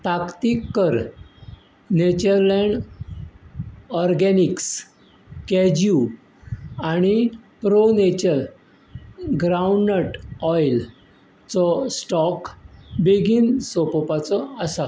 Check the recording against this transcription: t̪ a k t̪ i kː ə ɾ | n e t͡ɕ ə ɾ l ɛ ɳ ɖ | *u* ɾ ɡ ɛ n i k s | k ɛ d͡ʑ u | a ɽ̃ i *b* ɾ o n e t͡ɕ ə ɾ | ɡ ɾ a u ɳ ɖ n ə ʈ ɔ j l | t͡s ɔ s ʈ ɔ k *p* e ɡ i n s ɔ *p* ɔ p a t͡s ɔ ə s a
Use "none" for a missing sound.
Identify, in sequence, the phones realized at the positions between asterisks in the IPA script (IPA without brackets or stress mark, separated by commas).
ɔ, p, b, p